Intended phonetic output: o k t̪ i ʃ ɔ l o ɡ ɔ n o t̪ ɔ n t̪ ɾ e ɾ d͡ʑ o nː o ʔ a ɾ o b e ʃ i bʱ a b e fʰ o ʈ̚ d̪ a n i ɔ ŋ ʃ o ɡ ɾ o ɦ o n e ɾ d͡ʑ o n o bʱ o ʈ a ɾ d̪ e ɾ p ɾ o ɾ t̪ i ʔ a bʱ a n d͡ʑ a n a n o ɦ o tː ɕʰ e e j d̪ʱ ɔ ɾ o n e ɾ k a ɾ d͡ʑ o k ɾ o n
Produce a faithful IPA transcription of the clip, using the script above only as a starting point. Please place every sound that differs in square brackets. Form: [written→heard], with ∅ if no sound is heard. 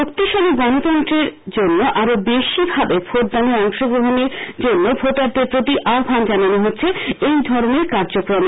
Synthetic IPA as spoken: o k t̪ i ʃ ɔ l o ɡ ɔ n o t̪ ɔ n t̪ ɾ e ɾ d͡ʑ o nː o ʔ a ɾ o b e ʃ i bʱ a b e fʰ o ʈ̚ d̪ a n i ɔ ŋ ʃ o ɡ ɾ o ɦ o n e ɾ d͡ʑ o [n→nː] o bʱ o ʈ a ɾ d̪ e ɾ p ɾ o [ɾ→∅] t̪ i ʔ a bʱ a n d͡ʑ a n a n o ɦ o tː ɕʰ e e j d̪ʱ ɔ ɾ o n e ɾ k a ɾ d͡ʑ o k ɾ o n